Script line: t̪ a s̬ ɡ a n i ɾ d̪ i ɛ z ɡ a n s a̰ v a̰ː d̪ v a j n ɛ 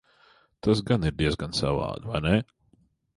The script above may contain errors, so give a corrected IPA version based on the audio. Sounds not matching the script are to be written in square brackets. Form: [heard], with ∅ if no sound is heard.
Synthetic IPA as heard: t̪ a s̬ ɡ a n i ɾ d̪ i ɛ z ɡ a n s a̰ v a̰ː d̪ v a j n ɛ